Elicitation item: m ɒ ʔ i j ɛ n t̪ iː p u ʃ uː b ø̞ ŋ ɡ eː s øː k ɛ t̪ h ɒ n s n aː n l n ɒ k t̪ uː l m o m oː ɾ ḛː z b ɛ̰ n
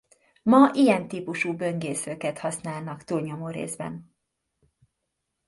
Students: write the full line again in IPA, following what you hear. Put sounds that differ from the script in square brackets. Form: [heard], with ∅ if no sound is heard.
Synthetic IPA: m ɒ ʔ i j ɛ n t̪ iː p u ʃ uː b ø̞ ŋ ɡ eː s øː k ɛ t̪ h ɒ [∅] s n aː [∅] l n ɒ k t̪ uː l [ɲ] o m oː ɾ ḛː z b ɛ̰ n